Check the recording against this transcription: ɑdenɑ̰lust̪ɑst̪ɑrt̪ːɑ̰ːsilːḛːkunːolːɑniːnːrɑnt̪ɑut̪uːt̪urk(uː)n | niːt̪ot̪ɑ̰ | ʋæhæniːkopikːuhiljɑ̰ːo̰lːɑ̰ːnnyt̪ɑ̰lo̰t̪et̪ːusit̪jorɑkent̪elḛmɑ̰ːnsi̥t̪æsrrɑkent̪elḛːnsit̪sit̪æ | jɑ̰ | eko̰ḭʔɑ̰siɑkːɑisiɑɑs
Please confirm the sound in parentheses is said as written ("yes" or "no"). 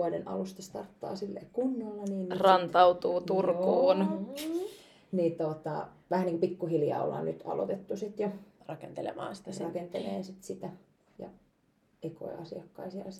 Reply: yes